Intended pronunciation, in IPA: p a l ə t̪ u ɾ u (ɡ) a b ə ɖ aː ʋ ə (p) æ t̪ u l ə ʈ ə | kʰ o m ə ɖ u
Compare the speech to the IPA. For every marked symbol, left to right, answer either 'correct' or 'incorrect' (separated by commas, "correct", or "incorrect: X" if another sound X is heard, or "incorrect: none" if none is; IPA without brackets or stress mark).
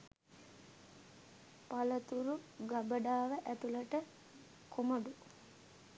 correct, incorrect: ʔ